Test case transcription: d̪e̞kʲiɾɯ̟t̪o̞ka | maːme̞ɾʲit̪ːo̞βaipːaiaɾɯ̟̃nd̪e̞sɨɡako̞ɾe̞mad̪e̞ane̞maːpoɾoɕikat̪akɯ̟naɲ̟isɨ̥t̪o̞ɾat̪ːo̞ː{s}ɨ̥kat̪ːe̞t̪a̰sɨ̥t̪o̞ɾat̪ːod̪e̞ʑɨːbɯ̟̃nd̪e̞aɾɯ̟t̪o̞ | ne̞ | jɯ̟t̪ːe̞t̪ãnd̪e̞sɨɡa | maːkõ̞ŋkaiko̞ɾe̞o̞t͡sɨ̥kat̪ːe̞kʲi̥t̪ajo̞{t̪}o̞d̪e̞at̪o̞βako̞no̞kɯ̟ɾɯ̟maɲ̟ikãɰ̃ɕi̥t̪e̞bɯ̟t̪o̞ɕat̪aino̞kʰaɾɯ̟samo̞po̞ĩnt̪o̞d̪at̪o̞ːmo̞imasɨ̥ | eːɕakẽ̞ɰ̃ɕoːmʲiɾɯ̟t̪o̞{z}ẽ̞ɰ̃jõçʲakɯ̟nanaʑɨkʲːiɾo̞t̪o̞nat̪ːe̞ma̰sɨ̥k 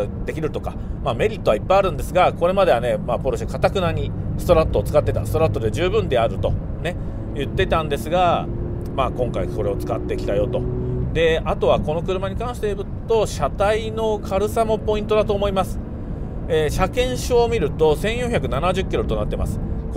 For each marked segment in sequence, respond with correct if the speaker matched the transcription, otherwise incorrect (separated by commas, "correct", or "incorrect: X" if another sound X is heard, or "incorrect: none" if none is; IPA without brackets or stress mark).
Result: incorrect: t͡s, correct, incorrect: s